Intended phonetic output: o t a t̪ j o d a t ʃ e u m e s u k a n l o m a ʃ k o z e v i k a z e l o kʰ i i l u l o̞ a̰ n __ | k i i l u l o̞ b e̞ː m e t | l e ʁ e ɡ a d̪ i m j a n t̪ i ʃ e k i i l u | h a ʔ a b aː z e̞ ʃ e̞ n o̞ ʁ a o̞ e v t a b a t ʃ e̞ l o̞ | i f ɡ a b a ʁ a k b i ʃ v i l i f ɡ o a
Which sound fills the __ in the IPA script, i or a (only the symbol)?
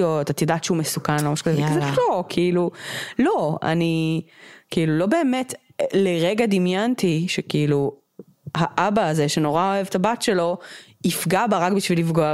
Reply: i